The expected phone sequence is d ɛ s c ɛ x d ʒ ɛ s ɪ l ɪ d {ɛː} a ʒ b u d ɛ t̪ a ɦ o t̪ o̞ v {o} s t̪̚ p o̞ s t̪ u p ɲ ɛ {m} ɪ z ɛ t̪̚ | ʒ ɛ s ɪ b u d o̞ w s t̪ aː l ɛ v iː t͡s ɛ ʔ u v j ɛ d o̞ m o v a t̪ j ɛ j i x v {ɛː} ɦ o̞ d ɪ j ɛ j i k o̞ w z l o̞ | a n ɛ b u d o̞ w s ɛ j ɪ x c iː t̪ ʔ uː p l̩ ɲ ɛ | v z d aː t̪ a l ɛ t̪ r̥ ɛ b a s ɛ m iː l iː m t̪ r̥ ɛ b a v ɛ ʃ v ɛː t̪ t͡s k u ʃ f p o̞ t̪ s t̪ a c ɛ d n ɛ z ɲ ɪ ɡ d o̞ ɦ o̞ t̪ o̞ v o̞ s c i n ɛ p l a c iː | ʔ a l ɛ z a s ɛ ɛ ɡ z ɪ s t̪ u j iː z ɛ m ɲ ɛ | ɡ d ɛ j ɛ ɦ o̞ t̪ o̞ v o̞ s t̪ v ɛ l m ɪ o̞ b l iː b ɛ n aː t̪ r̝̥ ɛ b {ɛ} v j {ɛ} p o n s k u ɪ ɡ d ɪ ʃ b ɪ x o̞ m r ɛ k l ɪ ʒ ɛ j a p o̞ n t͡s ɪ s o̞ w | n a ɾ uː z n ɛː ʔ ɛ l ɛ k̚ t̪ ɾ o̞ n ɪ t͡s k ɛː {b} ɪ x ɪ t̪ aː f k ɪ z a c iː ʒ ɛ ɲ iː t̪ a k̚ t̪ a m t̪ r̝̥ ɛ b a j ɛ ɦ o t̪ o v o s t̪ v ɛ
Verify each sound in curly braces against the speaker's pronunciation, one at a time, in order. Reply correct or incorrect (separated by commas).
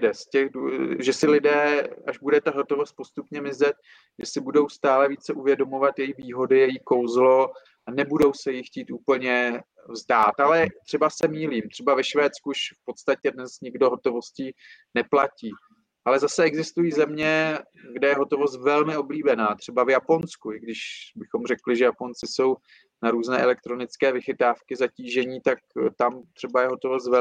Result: correct, correct, correct, incorrect, incorrect, incorrect, incorrect